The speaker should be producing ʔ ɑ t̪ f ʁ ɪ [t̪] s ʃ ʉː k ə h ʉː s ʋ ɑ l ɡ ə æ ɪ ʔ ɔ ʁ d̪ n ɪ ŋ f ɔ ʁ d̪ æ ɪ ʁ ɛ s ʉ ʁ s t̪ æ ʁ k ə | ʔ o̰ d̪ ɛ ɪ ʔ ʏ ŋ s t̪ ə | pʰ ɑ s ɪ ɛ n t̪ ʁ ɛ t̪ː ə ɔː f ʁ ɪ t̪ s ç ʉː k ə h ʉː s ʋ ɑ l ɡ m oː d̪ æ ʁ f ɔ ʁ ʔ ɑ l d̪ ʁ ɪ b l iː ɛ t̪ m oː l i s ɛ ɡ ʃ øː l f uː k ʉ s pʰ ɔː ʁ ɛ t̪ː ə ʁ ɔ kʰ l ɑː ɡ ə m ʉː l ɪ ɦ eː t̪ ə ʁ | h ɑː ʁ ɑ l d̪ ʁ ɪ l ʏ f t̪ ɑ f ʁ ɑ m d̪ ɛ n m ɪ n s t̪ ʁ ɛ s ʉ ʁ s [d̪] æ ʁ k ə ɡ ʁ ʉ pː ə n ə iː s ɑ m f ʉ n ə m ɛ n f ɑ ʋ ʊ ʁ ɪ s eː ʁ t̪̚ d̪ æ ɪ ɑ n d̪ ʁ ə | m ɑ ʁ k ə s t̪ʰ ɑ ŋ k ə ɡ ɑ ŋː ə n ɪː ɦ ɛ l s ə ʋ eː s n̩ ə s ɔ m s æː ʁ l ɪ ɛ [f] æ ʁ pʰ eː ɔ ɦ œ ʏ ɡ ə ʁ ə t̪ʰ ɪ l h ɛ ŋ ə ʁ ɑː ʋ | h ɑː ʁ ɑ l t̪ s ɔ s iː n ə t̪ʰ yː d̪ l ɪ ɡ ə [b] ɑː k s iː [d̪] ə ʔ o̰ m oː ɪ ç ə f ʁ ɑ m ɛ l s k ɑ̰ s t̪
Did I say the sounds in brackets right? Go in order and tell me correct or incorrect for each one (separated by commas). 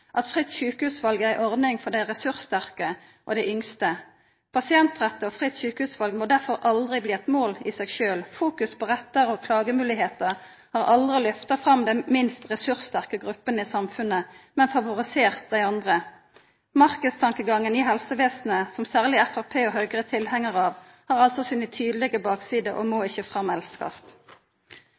correct, incorrect, correct, correct, correct